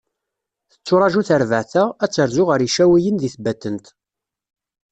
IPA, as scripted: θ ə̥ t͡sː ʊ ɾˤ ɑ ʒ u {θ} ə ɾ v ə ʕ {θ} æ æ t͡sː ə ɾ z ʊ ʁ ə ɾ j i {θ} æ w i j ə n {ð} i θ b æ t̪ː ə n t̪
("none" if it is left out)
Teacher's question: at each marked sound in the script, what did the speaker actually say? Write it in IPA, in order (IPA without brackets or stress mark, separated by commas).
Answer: θ, θ, ʃ, ð